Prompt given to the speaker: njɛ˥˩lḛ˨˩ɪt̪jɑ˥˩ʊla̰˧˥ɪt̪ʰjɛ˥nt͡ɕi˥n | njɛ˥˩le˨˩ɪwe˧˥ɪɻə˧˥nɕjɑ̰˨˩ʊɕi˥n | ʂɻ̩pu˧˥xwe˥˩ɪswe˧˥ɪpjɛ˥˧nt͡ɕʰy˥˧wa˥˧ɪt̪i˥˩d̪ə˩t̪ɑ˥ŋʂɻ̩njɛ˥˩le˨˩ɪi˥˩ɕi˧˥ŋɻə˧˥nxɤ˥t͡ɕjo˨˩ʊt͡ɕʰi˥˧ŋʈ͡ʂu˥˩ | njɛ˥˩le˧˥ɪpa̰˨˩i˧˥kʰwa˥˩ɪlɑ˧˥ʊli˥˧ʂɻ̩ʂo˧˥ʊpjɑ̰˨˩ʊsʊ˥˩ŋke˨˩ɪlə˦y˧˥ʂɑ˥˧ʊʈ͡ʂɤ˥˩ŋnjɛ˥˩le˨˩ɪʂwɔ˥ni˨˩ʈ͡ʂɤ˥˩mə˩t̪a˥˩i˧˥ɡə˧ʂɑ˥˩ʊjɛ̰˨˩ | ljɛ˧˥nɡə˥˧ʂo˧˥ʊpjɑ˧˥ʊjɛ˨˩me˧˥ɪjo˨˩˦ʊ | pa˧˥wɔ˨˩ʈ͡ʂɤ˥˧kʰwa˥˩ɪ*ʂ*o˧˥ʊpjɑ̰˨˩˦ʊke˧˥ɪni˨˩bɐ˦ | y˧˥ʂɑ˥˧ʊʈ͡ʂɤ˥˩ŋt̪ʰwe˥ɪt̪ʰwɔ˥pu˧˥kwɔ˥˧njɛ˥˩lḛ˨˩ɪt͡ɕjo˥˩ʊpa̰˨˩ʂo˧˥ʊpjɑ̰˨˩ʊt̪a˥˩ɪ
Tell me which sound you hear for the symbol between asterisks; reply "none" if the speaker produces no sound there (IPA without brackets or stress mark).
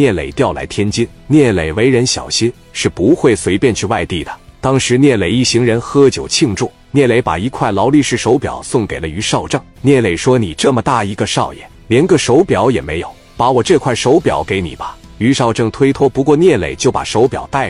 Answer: ʂ